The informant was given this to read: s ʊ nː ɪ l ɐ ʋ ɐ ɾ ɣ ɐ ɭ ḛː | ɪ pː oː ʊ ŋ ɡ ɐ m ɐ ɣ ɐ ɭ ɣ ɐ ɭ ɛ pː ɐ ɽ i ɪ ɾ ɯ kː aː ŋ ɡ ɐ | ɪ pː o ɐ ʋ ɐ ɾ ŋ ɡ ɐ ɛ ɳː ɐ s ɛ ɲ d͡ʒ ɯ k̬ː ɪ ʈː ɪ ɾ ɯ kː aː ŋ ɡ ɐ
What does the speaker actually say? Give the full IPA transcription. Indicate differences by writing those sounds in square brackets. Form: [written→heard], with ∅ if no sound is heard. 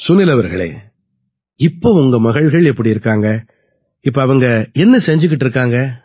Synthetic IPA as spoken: s ʊ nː ɪ l ɐ ʋ ɐ ɾ ɣ ɐ ɭ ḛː | ɪ pː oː ʊ ŋ ɡ ɐ m ɐ ɣ ɐ ɭ ɣ ɐ ɭ ɛ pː ɐ ɽ i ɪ ɾ ɯ kː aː ŋ ɡ ɐ | ɪ pː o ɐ ʋ ɐ [ɾ→∅] ŋ ɡ ɐ ɛ [ɳː→nː] ɐ s ɛ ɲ d͡ʒ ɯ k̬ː ɪ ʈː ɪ ɾ ɯ kː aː ŋ ɡ ɐ